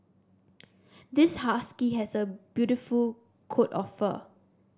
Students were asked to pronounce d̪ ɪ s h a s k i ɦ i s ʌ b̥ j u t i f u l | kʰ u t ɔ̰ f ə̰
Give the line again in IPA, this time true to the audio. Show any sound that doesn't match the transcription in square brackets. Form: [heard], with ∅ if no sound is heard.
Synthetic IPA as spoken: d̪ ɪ s h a s k i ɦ [ɛ] s [ə] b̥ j u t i f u l | kʰ [o] t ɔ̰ f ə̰